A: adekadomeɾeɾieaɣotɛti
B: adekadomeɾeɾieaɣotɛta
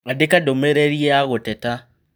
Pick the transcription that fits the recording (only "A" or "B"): B